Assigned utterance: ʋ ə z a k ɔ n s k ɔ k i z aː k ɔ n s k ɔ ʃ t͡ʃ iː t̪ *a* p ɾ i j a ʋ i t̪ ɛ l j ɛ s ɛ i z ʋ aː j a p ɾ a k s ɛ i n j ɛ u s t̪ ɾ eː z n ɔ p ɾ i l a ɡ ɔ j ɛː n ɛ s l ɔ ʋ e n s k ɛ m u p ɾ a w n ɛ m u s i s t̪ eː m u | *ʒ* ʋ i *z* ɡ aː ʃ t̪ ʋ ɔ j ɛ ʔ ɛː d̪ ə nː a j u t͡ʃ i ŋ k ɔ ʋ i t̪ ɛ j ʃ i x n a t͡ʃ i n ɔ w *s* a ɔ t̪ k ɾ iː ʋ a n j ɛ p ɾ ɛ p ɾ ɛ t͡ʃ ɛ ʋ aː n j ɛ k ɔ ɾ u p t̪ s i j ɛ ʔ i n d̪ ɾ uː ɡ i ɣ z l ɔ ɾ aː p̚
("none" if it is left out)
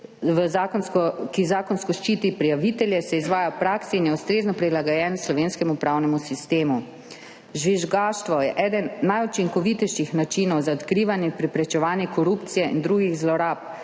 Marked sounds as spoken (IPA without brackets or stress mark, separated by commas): i, ʒ, ʒ, z